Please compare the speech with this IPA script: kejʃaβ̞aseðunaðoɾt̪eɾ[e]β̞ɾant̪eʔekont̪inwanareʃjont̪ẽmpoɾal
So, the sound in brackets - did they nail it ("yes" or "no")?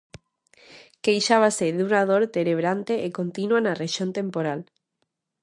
yes